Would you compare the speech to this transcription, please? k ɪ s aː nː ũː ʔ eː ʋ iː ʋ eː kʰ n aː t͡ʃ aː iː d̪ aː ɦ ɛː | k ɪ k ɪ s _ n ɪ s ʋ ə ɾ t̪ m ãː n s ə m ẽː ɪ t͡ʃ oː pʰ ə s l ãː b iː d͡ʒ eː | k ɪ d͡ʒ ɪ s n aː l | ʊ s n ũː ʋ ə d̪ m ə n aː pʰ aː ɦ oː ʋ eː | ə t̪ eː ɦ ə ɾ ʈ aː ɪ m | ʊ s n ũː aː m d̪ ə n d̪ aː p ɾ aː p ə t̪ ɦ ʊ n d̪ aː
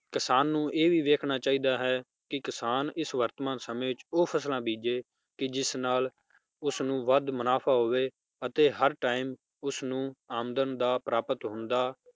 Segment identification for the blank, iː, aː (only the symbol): aː